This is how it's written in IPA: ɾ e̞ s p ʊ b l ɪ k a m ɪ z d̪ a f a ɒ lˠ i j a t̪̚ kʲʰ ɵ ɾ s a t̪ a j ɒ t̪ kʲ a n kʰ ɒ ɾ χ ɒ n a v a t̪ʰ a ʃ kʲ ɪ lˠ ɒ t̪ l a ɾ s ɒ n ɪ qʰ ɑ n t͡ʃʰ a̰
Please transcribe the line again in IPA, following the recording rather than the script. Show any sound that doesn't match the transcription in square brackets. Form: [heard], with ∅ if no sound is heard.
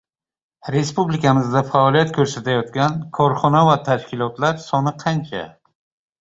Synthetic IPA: ɾ e̞ s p [u] b l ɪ k a m ɪ z d̪ a f a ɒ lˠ i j a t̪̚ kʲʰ ɵ ɾ s a t̪ a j ɒ t̪ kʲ a n kʰ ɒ ɾ χ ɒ n a v a t̪ʰ a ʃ kʲ ɪ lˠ ɒ t̪ l a ɾ s ɒ n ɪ qʰ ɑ n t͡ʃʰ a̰